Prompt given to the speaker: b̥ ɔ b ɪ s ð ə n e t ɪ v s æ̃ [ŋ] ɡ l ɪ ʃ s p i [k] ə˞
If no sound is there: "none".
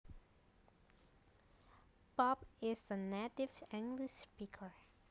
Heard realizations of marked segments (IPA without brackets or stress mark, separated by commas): ŋ, kʰ